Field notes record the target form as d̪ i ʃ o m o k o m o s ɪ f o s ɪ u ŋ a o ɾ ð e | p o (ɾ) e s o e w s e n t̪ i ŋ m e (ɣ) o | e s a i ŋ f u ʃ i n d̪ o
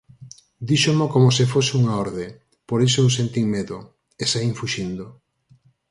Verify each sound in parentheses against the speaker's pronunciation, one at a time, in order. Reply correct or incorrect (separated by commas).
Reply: correct, incorrect